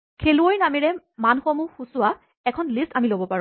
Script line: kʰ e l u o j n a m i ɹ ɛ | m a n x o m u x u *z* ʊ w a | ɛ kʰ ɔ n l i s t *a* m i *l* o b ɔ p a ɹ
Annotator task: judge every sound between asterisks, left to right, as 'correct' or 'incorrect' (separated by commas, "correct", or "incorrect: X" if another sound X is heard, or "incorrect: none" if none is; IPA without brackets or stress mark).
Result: incorrect: s, correct, correct